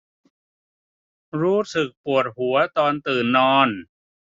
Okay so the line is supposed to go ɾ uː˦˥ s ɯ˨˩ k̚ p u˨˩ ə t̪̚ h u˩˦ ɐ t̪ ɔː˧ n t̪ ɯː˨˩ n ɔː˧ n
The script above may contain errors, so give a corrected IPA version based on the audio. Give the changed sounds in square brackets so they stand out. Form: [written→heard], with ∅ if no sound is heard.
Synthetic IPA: ɾ uː˦˥ s ɯ˨˩ k̚ p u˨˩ ə t̪̚ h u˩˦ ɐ t̪ ɔː˧ n t̪ ɯː˨˩ [n→nː] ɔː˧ n